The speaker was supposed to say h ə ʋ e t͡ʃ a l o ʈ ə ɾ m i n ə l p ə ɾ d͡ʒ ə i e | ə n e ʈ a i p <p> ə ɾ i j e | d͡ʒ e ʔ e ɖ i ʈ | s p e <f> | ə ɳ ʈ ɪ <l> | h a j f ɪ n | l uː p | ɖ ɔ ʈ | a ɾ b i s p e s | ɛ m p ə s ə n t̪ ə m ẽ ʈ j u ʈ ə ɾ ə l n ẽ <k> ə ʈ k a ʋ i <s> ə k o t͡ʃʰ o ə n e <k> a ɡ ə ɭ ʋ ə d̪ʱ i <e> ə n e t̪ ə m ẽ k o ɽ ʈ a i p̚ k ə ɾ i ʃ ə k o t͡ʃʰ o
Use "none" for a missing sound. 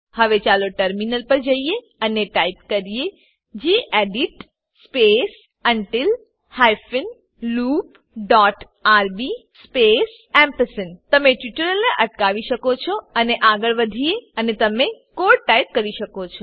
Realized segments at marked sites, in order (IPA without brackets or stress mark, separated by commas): k, s, l, ʔ, ʃ, ʔ, e